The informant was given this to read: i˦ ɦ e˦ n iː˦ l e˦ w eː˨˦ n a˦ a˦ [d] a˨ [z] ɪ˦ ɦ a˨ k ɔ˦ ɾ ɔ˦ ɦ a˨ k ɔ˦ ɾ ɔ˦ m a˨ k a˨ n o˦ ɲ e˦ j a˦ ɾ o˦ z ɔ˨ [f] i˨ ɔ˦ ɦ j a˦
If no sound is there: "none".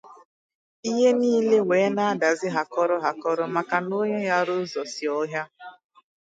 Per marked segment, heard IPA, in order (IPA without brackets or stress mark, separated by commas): d, z, s